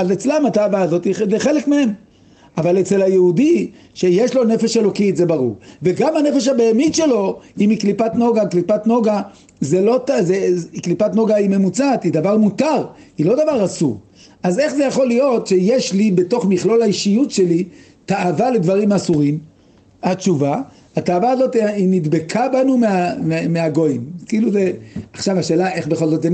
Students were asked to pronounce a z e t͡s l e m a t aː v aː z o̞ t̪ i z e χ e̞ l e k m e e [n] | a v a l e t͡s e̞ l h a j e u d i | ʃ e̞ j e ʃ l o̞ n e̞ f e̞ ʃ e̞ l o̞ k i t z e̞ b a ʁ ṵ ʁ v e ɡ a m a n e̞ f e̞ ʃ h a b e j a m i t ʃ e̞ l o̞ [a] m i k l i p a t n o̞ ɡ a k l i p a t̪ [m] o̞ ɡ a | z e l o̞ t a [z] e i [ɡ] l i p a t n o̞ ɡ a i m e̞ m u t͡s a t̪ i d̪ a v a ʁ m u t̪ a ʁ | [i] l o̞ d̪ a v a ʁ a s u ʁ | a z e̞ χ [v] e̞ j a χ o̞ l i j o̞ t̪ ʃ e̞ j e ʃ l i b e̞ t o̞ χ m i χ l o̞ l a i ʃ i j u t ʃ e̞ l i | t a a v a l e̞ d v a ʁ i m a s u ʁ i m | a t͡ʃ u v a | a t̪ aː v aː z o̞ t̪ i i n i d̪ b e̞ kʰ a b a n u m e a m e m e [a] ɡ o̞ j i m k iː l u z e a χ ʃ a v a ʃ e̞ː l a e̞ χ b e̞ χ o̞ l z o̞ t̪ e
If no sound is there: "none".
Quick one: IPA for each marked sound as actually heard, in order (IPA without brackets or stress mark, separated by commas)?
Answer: m, i, n, z, k, i, z, a